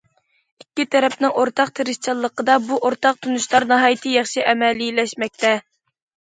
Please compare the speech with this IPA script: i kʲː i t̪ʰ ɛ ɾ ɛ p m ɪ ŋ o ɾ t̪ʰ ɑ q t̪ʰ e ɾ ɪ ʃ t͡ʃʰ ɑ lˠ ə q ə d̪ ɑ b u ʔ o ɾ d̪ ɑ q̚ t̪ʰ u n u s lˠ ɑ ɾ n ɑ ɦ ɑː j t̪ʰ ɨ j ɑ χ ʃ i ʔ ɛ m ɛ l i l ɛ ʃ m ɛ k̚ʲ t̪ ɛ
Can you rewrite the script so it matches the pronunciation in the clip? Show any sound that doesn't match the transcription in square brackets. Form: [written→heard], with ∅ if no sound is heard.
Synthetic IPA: i kʲː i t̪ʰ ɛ ɾ ɛ p [m→n] ɪ ŋ o ɾ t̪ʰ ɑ q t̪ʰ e ɾ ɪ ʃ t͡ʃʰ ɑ [lˠ→lˠː] ə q ə d̪ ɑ b u ʔ o ɾ [d̪→t̪] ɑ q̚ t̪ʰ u n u [s→ʃ] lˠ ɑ ɾ n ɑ ɦ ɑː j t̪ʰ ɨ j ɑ χ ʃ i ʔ ɛ m ɛ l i l ɛ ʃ m ɛ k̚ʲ t̪ ɛ

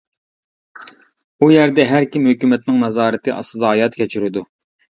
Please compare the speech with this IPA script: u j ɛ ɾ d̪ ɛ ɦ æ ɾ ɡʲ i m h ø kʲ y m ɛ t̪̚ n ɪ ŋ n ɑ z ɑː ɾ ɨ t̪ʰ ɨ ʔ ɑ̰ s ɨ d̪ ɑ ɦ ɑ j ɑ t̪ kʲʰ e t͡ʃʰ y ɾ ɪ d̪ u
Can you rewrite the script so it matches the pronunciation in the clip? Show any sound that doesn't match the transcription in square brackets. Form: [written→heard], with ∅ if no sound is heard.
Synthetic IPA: u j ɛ ɾ d̪ ɛ ɦ æ ɾ [ɡʲ→kʲ] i m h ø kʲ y m ɛ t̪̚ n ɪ ŋ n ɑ z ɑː ɾ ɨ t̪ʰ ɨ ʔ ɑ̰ s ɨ d̪ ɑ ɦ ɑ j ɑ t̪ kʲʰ [e→ɛ] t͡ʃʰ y ɾ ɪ d̪ u

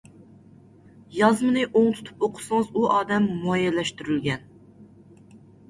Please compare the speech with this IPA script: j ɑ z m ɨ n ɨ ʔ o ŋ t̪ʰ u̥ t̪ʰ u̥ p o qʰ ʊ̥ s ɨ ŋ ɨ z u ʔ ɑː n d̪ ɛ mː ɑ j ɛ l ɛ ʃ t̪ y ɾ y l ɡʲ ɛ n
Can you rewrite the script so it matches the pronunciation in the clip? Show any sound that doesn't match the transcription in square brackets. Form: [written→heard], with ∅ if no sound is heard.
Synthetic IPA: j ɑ z m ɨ n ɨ ʔ o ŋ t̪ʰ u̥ t̪ʰ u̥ p o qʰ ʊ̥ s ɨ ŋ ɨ z u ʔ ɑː [n→∅] d̪ ɛ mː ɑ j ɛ l ɛ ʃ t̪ y ɾ y l ɡʲ ɛ n

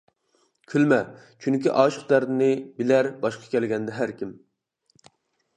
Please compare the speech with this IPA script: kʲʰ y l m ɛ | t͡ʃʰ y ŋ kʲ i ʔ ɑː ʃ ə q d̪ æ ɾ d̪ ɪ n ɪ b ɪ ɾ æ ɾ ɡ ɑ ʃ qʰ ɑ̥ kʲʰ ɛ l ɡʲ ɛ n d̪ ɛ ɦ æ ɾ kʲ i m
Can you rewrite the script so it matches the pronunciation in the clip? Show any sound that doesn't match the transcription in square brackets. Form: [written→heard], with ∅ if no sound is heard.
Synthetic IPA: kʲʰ y l m ɛ | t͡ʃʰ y ŋ kʲ i ʔ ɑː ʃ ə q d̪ æ ɾ d̪ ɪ n ɪ b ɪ [ɾ→l] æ ɾ [ɡ→b] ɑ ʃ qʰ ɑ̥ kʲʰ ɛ l ɡʲ ɛ n d̪ ɛ ɦ æ ɾ kʲ i m

